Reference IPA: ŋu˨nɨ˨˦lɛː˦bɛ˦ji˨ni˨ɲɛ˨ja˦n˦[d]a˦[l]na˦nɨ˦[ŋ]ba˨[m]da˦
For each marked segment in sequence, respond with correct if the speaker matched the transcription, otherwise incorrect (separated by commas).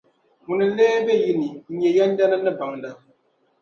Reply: correct, incorrect, incorrect, incorrect